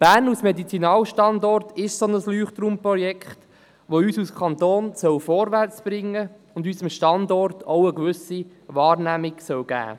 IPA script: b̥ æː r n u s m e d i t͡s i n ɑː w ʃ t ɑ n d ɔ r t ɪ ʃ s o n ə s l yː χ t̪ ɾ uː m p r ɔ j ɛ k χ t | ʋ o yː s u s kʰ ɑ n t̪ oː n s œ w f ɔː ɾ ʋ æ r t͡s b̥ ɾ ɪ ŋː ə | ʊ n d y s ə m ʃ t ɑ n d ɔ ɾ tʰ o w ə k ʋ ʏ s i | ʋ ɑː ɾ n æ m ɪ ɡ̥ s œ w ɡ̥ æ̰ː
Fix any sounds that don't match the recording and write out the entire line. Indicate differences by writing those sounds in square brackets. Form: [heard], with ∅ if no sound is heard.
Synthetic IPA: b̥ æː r n u s m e d i t͡s i n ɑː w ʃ t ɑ n d ɔ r t ɪ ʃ s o n ə s l yː χ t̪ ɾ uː m p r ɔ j ɛ k χ t | ʋ o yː s u s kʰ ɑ n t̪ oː n s œ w f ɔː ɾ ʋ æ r t͡s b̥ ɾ ɪ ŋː ə | ʊ n d y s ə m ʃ t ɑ n d ɔ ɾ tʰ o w ə k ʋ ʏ s i | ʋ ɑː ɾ n æ m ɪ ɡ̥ s œ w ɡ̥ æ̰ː